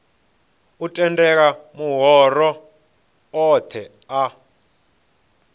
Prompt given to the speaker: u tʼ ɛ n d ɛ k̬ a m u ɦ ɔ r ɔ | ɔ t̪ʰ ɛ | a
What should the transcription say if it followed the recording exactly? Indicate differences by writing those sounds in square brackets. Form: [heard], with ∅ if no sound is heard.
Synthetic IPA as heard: u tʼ ɛ n d ɛ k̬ a m u ɦ ɔ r ɔ | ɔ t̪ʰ ɛ | a